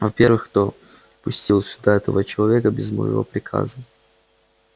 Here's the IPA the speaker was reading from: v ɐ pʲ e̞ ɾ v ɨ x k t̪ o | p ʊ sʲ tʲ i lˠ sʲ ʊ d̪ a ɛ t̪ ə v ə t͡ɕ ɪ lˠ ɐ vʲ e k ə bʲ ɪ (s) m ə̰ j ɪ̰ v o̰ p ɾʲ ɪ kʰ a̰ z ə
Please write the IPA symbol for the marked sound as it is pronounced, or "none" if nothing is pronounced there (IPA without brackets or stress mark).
z